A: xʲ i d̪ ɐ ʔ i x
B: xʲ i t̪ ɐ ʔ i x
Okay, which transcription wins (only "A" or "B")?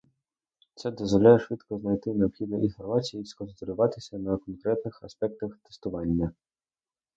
A